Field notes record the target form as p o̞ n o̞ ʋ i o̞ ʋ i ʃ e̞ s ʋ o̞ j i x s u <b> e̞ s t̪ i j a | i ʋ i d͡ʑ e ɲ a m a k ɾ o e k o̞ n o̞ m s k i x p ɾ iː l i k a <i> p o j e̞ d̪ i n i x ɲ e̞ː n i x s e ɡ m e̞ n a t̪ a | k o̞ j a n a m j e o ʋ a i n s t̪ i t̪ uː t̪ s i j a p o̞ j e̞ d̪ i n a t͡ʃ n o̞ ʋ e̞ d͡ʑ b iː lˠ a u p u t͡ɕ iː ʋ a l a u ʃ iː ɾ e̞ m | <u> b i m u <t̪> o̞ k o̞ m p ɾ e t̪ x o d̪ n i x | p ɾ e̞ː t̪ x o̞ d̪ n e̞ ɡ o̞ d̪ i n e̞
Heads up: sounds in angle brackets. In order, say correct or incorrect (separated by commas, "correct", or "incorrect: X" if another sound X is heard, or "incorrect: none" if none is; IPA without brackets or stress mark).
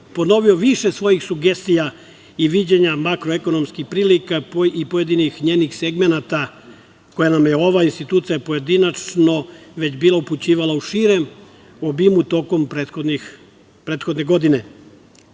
incorrect: ɡ, correct, incorrect: o, correct